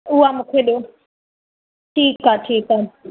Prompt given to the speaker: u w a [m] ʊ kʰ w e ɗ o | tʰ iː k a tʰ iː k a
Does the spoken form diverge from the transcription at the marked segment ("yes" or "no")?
no